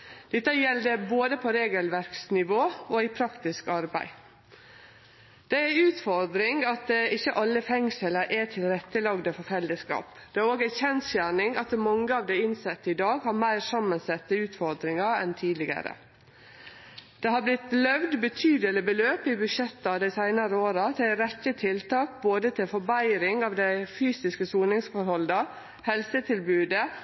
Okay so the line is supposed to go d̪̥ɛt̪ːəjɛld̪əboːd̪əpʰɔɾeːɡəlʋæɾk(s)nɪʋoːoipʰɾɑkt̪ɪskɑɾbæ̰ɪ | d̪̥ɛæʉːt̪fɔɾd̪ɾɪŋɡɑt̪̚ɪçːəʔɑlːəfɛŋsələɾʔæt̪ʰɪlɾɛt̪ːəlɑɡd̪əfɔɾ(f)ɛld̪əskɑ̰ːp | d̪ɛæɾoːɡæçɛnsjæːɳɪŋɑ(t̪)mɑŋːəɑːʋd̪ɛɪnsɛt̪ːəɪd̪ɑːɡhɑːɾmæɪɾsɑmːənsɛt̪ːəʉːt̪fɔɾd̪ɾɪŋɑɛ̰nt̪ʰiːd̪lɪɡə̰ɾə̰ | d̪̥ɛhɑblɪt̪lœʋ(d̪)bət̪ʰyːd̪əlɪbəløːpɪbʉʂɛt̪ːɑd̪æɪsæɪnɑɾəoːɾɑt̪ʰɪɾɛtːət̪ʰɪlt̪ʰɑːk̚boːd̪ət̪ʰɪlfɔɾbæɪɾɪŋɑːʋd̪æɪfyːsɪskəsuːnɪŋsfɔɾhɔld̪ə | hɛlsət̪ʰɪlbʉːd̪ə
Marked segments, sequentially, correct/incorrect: correct, correct, correct, correct

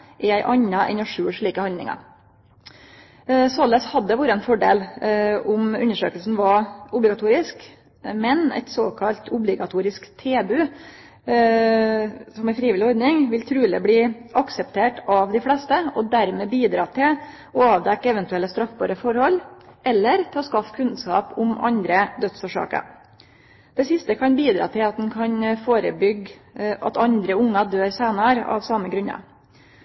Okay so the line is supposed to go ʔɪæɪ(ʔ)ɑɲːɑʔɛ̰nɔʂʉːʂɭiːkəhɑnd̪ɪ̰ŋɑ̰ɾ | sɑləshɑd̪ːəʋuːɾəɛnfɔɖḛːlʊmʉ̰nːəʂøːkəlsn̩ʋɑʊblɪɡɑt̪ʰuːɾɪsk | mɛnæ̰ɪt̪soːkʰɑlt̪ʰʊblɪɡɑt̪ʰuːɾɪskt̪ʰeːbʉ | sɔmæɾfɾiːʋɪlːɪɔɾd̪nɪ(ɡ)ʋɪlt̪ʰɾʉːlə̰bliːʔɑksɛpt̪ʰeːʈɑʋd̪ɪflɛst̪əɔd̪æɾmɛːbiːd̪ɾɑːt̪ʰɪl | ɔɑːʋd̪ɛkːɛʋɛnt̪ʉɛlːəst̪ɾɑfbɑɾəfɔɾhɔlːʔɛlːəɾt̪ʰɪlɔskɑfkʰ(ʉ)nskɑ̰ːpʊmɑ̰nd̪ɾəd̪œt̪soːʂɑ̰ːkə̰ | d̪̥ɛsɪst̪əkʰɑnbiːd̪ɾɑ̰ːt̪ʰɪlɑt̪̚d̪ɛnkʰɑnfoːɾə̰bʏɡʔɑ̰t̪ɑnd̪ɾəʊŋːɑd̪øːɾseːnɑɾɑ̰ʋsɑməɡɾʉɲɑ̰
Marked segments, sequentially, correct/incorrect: correct, incorrect, correct

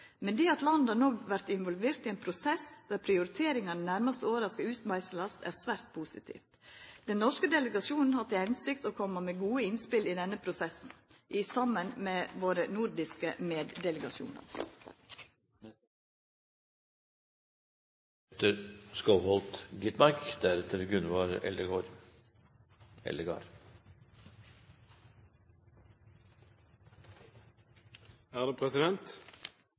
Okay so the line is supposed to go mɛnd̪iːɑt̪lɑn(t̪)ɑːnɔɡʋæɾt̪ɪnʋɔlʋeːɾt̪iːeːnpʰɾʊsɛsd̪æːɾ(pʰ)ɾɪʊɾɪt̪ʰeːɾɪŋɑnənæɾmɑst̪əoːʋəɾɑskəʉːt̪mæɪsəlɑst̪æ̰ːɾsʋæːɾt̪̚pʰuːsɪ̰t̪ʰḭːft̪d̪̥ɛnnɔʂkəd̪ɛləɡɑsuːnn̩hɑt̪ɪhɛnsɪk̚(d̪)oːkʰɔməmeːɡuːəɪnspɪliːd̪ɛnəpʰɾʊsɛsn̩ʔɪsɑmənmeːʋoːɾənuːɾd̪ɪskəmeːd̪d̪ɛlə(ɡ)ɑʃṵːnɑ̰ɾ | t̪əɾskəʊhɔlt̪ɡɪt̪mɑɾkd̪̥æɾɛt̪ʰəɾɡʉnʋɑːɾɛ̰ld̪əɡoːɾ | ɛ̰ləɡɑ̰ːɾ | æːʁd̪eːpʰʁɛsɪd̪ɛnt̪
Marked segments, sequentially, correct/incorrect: incorrect, correct, incorrect, correct

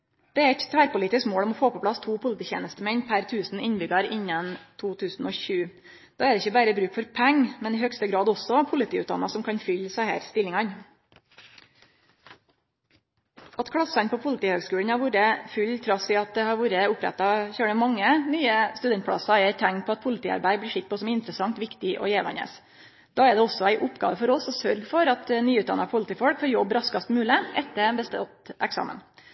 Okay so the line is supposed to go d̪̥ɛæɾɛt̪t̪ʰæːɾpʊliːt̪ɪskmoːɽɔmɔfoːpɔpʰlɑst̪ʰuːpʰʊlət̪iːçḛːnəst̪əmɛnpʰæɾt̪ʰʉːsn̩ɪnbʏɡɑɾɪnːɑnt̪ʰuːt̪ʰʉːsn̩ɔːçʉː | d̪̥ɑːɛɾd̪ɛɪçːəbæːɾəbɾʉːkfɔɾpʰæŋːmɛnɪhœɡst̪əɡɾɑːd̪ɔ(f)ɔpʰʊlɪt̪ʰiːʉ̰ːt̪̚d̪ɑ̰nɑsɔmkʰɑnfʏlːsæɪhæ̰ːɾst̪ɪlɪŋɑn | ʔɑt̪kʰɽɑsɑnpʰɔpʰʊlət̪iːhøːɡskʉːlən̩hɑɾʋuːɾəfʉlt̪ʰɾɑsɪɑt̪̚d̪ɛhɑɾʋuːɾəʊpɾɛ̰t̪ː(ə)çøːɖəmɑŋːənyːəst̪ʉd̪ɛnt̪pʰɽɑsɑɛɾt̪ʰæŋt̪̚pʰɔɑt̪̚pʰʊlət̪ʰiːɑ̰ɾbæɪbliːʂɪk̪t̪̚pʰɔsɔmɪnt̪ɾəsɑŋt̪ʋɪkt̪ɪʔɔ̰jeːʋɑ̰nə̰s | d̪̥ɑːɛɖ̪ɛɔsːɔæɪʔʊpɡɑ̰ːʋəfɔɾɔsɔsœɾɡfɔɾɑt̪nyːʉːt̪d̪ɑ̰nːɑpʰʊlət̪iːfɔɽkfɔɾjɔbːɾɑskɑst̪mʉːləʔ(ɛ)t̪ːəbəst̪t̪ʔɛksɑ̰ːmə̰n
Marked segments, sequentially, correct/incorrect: incorrect, incorrect, correct

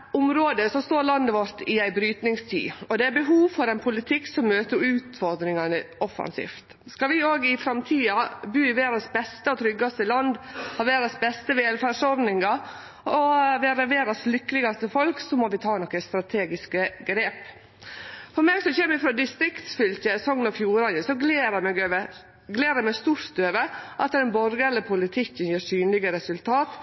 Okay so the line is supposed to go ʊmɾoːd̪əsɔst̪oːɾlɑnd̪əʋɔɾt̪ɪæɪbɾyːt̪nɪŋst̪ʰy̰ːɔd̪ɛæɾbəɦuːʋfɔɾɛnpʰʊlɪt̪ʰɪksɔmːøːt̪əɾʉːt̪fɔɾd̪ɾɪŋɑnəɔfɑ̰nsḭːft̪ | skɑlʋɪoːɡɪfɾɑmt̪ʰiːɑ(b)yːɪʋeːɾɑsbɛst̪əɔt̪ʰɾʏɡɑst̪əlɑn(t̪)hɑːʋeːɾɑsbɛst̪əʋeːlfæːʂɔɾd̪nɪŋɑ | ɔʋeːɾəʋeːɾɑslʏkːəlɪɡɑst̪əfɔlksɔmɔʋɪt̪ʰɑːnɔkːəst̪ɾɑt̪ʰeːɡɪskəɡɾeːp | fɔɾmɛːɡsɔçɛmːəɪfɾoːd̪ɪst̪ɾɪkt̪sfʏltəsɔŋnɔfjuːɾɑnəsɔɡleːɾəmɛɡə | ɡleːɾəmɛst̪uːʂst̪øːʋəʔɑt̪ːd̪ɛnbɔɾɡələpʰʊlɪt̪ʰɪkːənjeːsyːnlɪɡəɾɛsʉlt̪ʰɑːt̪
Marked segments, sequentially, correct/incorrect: correct, incorrect

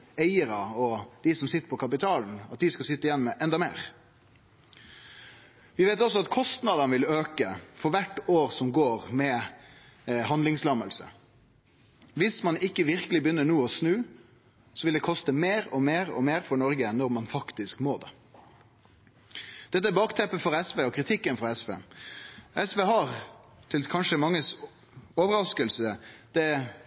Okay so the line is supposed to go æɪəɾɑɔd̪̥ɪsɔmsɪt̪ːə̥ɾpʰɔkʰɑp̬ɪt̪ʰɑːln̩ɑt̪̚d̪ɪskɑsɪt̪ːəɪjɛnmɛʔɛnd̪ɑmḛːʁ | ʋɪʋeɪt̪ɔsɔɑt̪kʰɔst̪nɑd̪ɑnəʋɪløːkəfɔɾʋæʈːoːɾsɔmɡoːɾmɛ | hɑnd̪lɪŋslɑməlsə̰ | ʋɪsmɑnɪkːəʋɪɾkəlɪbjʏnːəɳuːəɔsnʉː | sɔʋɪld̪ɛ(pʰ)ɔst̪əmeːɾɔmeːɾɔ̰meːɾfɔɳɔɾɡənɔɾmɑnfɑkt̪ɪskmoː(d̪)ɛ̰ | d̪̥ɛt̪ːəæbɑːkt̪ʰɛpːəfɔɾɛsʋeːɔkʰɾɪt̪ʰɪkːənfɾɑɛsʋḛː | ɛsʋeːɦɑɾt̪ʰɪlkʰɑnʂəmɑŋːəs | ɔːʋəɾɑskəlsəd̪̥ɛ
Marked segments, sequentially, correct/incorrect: incorrect, correct

